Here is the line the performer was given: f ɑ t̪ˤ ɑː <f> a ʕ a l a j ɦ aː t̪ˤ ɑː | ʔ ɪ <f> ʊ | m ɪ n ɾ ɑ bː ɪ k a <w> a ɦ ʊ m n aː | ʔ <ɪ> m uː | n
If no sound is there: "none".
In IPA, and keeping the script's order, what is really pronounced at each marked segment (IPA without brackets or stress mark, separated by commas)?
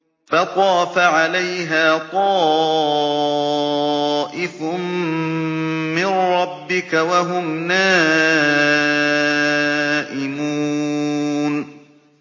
f, f, w, ɪ